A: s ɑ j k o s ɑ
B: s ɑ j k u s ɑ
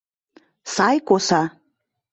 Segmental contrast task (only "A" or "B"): A